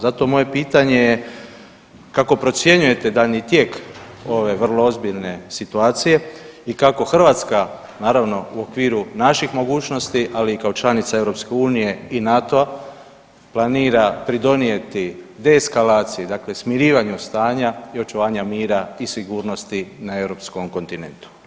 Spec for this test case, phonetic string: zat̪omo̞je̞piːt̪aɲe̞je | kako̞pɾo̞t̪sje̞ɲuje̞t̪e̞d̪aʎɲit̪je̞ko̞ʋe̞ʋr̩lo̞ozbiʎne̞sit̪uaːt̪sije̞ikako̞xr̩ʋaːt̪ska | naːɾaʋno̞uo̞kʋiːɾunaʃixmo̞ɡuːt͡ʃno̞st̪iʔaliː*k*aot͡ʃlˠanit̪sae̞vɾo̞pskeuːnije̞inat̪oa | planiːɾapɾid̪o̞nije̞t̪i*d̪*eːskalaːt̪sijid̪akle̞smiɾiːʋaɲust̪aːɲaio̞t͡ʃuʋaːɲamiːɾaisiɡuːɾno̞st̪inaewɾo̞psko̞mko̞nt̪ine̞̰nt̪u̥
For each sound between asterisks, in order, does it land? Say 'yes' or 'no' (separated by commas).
yes, yes